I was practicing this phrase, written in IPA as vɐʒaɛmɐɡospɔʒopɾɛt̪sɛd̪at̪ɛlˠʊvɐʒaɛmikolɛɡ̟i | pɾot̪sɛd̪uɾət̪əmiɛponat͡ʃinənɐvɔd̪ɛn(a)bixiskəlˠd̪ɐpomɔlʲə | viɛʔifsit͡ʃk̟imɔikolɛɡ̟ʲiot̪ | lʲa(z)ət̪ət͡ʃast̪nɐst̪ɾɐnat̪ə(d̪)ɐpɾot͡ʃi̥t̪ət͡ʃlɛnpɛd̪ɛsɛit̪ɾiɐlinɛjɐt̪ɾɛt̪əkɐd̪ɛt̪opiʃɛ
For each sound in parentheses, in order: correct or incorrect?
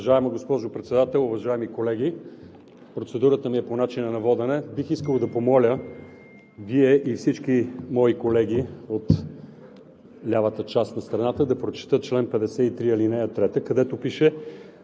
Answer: incorrect, incorrect, correct

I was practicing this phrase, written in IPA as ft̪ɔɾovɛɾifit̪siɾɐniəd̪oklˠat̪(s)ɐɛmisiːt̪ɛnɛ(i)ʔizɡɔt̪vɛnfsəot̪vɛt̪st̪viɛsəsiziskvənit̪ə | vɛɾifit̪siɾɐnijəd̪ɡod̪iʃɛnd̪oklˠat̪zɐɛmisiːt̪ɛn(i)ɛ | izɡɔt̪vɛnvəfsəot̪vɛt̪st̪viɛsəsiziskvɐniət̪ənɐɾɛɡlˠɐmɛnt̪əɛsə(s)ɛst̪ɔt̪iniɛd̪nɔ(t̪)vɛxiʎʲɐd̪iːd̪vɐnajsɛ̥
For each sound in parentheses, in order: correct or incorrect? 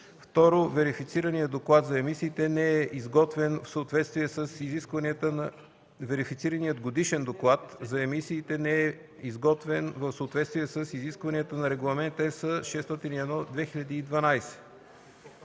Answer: incorrect, incorrect, incorrect, incorrect, incorrect

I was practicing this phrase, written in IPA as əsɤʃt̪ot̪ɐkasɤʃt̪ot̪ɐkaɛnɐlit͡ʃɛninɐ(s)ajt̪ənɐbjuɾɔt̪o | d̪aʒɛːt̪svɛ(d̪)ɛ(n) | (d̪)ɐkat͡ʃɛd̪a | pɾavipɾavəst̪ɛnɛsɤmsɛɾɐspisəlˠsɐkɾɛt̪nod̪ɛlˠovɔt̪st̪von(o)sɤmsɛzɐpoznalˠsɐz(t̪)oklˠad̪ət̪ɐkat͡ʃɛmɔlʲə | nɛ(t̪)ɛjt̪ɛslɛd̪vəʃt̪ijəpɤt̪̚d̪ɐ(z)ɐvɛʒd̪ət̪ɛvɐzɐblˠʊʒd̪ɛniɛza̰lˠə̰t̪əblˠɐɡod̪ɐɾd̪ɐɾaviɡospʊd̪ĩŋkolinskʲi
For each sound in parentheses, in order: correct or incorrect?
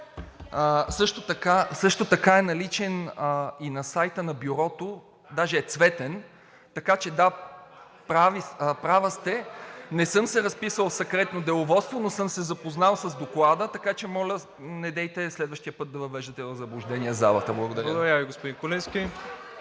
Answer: correct, incorrect, correct, incorrect, correct, incorrect, incorrect, incorrect

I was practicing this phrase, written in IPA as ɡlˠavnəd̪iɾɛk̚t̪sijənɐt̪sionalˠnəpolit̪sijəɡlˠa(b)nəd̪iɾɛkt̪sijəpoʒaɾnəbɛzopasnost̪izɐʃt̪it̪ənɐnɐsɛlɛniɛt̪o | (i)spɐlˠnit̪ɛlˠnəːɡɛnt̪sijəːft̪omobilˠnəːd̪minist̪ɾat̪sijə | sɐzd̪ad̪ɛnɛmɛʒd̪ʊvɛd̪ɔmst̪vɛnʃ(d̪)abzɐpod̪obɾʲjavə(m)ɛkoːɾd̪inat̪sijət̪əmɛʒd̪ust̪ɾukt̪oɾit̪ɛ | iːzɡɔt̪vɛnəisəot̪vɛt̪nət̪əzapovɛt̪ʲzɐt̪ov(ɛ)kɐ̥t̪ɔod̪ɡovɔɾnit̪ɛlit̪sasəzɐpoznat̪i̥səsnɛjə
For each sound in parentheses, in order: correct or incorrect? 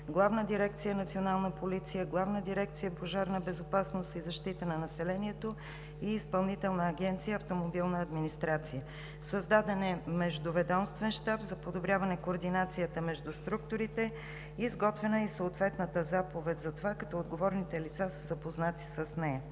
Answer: incorrect, incorrect, incorrect, incorrect, incorrect

